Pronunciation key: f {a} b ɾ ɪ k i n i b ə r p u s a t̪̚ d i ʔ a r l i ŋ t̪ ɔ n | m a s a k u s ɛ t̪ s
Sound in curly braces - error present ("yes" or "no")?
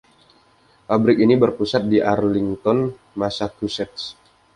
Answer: no